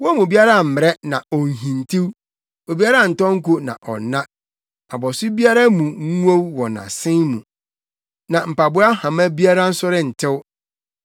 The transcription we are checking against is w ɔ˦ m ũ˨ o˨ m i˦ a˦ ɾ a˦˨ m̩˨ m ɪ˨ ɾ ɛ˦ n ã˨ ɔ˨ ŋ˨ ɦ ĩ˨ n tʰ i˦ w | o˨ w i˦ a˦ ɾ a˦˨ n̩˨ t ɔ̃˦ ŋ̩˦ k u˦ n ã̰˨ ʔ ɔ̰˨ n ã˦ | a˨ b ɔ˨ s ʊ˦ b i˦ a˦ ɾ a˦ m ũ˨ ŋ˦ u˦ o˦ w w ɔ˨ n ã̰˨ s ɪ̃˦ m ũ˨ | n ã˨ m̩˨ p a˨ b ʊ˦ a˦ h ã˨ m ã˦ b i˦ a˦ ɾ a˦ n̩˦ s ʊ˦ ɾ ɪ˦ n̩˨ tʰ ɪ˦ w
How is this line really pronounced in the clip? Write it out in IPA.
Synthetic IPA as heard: w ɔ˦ m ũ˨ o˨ b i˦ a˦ ɾ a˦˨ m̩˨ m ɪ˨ ɾ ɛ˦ n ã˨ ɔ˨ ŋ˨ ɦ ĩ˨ n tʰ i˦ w | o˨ b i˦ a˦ ɾ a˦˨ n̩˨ t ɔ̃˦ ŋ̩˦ k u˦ n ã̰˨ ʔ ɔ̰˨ n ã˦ | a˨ b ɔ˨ s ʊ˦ b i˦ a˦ ɾ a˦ m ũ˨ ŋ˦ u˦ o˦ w w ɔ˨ n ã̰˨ s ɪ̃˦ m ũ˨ | n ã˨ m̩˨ p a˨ b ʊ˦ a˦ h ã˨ m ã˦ b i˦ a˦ ɾ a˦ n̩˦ s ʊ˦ ɾ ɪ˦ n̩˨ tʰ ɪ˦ w